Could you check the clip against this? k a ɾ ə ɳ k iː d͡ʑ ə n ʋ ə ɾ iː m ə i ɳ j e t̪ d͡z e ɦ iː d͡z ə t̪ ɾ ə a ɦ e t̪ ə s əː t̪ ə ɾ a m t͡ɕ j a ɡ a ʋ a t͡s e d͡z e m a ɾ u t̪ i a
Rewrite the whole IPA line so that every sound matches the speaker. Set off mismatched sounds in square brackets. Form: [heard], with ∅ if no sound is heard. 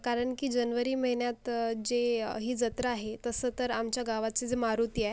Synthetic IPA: k a ɾ ə ɳ k iː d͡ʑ ə n ʋ ə ɾ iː m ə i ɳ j [a] t̪ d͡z e ɦ iː d͡z ə t̪ ɾ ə a ɦ e t̪ ə s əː t̪ ə ɾ a m t͡ɕ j a ɡ a ʋ a t͡s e d͡z e m a ɾ u t̪ i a